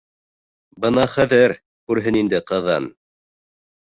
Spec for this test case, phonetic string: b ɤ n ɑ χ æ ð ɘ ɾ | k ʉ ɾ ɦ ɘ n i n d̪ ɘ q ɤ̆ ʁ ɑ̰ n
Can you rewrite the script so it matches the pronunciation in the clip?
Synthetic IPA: b ɤ n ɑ χ æ ð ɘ ɾ | k ʉ ɾ ɦ ɘ n i n d̪ ɘ q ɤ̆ ð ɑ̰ n

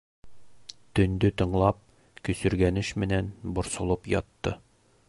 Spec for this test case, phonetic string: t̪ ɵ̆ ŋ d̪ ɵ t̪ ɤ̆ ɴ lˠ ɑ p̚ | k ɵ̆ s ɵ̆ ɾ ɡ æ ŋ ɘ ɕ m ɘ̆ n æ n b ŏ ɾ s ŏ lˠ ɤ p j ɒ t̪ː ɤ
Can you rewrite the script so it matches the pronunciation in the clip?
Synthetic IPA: t̪ ɵ̆ n d̪ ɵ t̪ ɤ̆ ɴ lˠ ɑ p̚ | k ɵ̆ s ɵ̆ ɾ ɡ æ n ɘ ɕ m ɘ̆ n æ n b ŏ ɾ s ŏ lˠ ɤ p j ɒ t̪ː ɤ

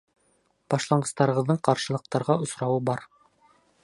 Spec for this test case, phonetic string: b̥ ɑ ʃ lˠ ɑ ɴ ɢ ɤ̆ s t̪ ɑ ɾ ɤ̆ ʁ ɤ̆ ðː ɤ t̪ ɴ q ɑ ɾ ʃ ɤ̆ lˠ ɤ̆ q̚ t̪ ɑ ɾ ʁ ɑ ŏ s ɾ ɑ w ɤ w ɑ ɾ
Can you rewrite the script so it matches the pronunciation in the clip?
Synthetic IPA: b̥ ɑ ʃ lˠ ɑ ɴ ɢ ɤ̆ s t̪ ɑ ɾ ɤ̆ ʁ ɤ̆ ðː ɤ ɴ q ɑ ɾ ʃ ɤ̆ lˠ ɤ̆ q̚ t̪ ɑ ɾ ʁ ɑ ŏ s ɾ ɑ w ɤ b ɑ ɾ

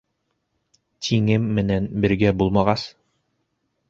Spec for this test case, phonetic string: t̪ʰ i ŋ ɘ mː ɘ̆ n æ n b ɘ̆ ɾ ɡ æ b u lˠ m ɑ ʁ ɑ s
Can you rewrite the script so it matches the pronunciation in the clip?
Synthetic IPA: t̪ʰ i ŋ ɘ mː ɘ̆ n æ n b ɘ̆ ɾ ɡ æ b u lˠ m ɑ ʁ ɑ s

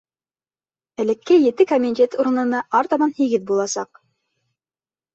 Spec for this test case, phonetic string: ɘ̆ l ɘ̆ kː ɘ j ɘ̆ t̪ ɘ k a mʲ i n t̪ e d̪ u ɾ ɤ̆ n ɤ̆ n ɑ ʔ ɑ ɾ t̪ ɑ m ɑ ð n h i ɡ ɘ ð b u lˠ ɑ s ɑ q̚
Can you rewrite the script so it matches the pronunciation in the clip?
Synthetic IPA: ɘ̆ l ɘ̆ kː ɘ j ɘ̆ t̪ ɘ k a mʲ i n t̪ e t̪ u ɾ ɤ̆ n ɤ̆ n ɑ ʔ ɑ ɾ t̪ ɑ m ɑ n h i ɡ ɘ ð b u lˠ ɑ s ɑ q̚

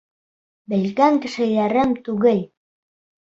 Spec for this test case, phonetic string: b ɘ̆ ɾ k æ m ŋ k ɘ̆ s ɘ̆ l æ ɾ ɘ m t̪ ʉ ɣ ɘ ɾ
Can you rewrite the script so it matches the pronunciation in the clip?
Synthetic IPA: b ɘ̆ l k æ ŋ k ɘ̆ ʃ ɘ̆ l æ ɾ ɘ m t̪ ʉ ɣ ɘ l

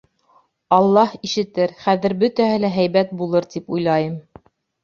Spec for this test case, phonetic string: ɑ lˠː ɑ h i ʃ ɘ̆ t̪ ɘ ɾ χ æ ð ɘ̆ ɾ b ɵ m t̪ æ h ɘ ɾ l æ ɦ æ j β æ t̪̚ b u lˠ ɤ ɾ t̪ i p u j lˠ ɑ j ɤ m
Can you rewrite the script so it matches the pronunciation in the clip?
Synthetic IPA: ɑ lˠː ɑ h i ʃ ɘ̆ t̪ ɘ ɾ χ æ ð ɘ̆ ɾ b ɵ t̪ æ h ɘ l æ ɦ æ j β æ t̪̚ b u lˠ ɤ ɾ t̪ i p u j lˠ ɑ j ɤ m

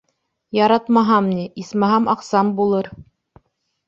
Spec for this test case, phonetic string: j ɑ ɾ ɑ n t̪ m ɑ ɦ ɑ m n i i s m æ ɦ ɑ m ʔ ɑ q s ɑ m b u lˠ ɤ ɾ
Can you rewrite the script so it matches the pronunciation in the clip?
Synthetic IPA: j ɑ ɾ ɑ t̪ m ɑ ɦ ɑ m n i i s m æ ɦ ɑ m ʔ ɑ q s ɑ m b u lˠ ɤ ɾ

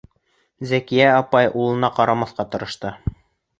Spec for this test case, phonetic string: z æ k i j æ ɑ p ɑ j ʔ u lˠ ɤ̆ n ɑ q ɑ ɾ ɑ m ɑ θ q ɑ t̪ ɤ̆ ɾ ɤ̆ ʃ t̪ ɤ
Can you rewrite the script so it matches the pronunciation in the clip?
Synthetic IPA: z æ k i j æ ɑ p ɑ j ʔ u lˠ ɤ̆ n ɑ q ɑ ɾ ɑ m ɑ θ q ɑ t̪ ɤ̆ ɾ ɤ̆ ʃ t̪ ɤ

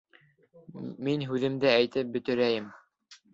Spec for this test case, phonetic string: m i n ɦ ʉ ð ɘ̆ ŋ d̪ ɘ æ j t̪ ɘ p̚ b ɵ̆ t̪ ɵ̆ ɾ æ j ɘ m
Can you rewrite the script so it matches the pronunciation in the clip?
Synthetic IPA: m i n ɦ ʉ ð ɘ̆ m d̪ ɘ æ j t̪ ɘ p̚ b ɵ̆ t̪ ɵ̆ ɾ æ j ɘ m

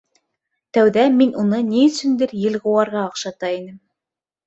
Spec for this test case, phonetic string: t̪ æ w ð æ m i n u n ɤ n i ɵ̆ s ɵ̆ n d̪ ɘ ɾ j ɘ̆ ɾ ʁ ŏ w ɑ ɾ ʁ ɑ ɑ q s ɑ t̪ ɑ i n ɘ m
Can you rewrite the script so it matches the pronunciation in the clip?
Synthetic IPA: t̪ æ w ð æ m i n u n ɤ n i ɵ̆ s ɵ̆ n d̪ ɘ ɾ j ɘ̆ l ʁ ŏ w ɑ ɾ ʁ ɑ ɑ q ʃ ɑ t̪ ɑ i n ɘ m

